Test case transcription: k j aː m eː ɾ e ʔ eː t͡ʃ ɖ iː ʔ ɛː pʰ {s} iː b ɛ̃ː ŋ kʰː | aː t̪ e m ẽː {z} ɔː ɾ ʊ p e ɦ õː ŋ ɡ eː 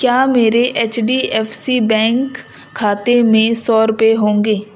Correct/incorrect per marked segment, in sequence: correct, incorrect

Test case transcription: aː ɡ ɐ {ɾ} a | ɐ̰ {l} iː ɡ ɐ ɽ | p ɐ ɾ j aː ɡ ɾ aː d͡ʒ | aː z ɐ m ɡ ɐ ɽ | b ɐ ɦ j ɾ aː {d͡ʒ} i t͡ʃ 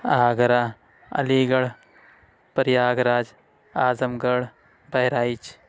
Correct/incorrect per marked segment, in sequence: correct, correct, incorrect

